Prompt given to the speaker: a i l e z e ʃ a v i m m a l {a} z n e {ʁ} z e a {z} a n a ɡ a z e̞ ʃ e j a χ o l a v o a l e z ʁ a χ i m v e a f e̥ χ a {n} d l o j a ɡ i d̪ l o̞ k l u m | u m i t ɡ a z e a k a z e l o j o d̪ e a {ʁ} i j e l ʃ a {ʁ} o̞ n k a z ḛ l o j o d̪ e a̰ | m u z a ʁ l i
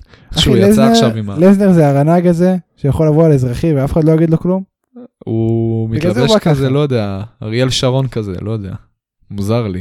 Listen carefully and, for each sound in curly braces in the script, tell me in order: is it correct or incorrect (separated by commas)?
incorrect, correct, incorrect, incorrect, correct, correct